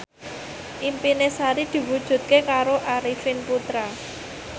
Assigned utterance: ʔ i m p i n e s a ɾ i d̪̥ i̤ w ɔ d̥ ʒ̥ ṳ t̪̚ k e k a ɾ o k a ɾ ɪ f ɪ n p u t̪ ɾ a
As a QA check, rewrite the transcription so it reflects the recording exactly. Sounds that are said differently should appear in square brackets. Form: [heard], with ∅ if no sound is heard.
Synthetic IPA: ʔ i m p i n e s a ɾ i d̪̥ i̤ w [u] d̥ ʒ̥ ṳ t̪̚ k e k a ɾ o [ʔ] a ɾ [i] f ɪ n p u t̪ ɾ a